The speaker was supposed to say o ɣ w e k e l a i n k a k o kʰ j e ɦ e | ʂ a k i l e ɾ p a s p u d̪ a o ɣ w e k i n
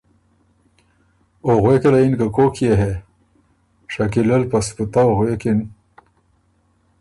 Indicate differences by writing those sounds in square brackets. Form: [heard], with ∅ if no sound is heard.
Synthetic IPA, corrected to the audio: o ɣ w e k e l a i n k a k o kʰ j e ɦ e | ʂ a k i l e [l] p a s p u [t̪] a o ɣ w e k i n